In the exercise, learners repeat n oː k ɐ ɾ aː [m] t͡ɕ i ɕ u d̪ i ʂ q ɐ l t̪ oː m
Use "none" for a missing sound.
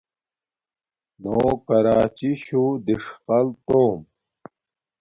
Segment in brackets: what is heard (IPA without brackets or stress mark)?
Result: none